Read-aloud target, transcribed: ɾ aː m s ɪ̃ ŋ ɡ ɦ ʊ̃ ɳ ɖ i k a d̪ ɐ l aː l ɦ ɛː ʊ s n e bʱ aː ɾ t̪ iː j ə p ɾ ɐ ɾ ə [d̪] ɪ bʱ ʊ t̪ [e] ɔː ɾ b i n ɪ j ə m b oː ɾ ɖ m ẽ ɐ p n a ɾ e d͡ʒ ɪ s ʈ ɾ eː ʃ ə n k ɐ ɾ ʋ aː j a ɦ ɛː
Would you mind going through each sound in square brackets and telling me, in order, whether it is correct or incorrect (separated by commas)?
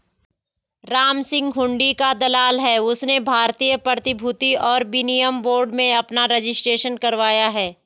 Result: incorrect, incorrect